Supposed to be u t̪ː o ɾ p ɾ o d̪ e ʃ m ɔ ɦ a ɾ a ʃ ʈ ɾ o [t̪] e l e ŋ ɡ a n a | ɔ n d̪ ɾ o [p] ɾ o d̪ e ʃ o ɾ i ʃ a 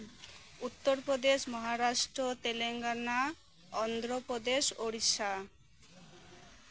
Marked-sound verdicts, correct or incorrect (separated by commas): correct, correct